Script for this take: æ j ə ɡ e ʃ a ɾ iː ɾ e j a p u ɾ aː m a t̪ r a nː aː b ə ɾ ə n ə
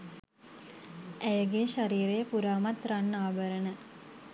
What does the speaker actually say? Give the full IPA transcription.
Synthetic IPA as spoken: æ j ə ɡ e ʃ a ɾ iː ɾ e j ə p u ɾ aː m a t̪ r a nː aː b ə ɾ ə n ə